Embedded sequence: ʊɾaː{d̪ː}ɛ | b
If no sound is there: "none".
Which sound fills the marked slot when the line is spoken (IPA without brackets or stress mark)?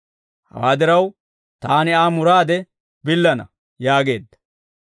d̪